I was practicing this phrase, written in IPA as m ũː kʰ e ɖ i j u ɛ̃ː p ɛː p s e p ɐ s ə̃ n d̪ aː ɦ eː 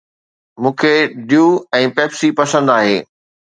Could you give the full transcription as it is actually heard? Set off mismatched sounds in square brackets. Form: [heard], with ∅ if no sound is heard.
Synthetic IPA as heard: m ũː kʰ e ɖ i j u ɛ̃ː p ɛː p s [i] p ɐ s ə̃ n d̪ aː ɦ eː